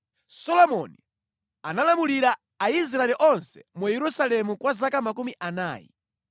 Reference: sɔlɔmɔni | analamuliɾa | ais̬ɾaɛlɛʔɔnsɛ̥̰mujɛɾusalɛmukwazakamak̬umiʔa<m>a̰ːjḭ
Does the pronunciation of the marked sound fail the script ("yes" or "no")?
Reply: yes